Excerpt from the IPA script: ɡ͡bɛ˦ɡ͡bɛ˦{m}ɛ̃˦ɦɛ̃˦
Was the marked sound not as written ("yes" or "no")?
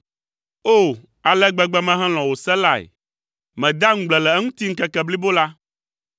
no